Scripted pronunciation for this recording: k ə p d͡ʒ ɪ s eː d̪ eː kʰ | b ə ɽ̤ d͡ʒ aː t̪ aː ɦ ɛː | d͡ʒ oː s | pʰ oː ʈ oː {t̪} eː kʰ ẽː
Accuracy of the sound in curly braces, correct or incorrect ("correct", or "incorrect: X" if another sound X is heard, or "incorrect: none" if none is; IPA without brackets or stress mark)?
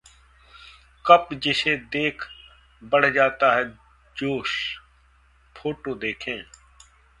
incorrect: d̪